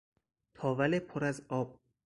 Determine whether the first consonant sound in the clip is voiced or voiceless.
voiceless